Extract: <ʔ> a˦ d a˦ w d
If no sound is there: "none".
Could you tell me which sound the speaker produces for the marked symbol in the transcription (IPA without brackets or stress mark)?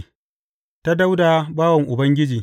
t